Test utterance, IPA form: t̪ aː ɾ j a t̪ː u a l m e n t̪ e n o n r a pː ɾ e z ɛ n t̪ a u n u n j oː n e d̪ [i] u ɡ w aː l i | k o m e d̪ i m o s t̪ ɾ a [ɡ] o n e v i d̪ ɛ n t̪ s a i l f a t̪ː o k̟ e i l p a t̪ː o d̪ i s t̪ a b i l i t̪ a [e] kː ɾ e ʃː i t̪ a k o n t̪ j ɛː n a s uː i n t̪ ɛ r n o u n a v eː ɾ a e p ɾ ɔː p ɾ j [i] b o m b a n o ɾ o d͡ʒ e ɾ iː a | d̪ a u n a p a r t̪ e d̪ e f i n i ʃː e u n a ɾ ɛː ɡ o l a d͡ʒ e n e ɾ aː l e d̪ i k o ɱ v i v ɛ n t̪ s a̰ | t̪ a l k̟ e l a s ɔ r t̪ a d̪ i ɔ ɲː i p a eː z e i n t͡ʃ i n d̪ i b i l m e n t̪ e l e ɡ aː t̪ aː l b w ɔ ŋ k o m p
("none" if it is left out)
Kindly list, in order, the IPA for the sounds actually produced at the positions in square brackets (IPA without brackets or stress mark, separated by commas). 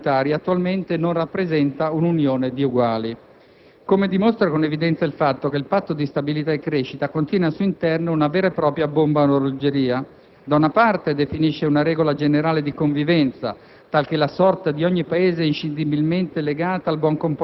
i, k, e, a